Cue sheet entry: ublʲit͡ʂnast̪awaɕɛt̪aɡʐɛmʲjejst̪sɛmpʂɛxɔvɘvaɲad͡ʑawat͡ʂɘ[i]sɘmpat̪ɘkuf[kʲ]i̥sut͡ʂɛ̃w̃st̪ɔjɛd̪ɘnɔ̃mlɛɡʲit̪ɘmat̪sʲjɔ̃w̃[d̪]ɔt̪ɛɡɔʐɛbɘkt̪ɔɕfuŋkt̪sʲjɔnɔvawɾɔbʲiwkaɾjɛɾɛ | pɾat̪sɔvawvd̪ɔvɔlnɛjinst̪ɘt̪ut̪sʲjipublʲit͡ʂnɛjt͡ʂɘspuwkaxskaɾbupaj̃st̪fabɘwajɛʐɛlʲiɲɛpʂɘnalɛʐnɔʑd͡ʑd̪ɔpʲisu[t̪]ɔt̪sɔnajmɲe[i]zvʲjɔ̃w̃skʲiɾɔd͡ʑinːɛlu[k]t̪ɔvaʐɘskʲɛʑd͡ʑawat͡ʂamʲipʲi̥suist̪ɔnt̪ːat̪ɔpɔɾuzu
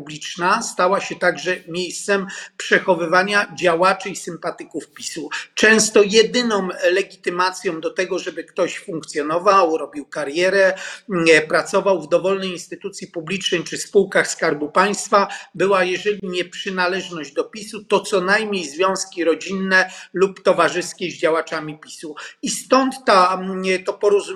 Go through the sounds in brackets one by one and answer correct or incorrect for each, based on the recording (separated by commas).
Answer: correct, incorrect, correct, correct, incorrect, incorrect